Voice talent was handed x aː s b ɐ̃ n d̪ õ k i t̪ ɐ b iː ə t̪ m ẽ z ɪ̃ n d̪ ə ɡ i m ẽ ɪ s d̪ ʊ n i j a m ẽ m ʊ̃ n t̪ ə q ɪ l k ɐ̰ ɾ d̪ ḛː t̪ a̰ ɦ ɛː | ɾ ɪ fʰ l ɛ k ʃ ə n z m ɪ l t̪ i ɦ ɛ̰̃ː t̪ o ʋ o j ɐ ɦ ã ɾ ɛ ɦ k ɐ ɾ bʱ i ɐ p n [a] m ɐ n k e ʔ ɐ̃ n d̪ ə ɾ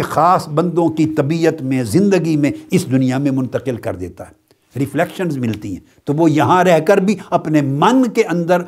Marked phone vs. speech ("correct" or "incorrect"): incorrect